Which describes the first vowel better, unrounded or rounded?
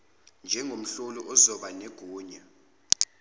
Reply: unrounded